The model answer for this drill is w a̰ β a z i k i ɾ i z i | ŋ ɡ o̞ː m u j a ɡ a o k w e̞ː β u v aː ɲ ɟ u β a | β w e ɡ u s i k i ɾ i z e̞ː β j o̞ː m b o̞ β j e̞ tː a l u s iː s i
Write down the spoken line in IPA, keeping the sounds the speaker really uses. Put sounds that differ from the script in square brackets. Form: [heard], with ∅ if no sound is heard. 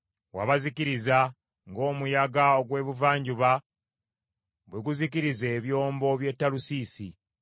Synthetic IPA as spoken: w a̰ β a z i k i ɾ i z [a] | ŋ ɡ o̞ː m u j a ɡ a o [ɡ] w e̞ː β u v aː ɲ ɟ u β a | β w e ɡ u [z] i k i ɾ i z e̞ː β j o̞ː m b o̞ β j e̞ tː a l u s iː s i